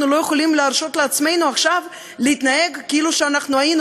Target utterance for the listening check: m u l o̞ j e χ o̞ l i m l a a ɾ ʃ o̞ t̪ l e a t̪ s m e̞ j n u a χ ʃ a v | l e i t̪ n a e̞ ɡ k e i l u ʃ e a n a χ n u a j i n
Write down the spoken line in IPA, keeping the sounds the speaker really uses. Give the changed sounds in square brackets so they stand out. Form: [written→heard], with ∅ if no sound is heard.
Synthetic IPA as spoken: [m→n] u l o̞ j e χ o̞ l i m l [a→e] a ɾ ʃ o̞ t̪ l e a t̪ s m e̞ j n u a χ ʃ a v | l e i t̪ n a e̞ ɡ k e i l u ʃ e a n a χ n u a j i n